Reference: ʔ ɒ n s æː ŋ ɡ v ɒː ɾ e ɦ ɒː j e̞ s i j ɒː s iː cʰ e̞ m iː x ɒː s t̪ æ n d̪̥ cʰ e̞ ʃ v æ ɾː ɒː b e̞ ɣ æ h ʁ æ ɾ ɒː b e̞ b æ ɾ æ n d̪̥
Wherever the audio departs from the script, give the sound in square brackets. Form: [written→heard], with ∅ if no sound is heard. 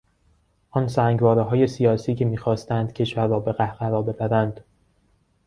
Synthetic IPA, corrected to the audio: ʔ ɒ n s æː ŋ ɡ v ɒː ɾ e ɦ ɒː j e̞ s i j ɒː s iː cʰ e̞ m iː x ɒː s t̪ æ n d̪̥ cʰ e̞ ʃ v æ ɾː ɒː b e̞ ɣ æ h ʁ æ ɾ ɒː b e̞ b æ ɾ æ n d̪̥